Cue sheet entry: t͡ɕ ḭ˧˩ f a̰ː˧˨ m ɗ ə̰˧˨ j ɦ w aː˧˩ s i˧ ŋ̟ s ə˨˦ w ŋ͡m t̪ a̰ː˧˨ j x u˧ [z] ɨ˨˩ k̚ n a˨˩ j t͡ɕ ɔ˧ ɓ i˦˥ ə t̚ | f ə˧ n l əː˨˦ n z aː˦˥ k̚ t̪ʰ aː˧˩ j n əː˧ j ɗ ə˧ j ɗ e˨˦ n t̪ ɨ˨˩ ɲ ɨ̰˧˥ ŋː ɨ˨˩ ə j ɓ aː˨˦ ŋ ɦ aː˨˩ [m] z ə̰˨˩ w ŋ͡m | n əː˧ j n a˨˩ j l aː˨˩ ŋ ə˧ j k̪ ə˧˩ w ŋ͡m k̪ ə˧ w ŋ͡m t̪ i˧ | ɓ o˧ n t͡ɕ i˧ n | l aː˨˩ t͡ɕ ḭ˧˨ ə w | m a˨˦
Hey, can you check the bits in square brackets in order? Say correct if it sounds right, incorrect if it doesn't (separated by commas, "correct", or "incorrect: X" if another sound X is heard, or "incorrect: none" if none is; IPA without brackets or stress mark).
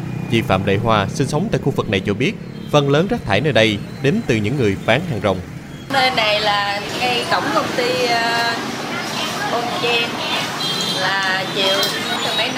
incorrect: v, incorrect: ŋ